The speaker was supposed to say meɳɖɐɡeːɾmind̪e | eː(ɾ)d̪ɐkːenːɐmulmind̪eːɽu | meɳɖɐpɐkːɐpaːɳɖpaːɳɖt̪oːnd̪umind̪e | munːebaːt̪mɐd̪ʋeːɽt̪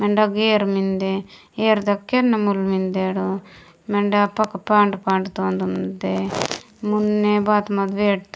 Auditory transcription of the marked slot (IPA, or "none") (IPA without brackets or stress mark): ɾ